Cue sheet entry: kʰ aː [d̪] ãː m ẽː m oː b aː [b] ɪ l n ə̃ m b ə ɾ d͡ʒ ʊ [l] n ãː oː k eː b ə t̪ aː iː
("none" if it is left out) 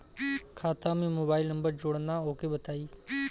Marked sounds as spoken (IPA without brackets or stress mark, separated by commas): t̪, none, ɽ